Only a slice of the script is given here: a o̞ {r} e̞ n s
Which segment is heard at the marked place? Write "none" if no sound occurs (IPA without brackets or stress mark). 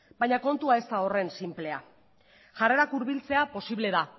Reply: r